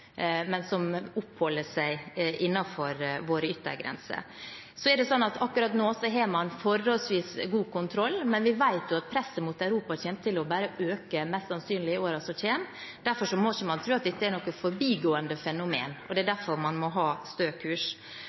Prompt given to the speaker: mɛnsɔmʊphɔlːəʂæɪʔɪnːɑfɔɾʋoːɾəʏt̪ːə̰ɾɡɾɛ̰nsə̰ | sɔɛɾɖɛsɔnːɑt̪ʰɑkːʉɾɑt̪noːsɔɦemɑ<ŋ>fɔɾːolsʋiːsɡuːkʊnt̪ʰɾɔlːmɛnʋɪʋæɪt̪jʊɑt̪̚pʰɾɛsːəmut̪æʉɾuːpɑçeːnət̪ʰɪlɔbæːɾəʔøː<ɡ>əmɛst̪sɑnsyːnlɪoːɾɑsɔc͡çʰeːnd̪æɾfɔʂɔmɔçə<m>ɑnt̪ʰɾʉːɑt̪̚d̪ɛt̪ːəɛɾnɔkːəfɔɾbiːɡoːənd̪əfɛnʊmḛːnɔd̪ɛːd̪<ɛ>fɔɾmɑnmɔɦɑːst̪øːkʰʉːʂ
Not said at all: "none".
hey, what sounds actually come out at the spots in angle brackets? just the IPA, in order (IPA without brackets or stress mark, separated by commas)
n, k, m, æ